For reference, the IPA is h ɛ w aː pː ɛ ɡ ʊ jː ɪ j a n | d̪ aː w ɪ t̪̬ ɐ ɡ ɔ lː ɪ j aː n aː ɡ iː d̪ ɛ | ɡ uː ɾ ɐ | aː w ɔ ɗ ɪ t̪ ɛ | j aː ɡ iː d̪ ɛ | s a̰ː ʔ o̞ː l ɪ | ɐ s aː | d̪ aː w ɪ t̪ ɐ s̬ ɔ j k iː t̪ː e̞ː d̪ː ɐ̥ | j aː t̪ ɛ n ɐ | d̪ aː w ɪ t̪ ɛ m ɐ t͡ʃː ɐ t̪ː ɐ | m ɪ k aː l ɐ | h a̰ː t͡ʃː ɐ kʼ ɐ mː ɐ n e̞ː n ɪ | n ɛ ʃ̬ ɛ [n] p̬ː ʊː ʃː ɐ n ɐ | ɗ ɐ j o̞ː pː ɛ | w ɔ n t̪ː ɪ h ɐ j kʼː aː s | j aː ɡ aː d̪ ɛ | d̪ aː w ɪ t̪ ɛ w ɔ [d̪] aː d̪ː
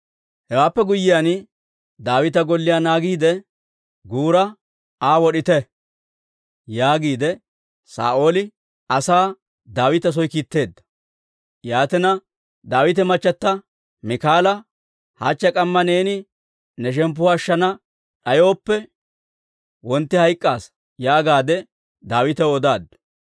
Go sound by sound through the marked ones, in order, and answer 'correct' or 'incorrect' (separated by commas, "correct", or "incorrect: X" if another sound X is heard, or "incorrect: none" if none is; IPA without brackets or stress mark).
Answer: incorrect: m, correct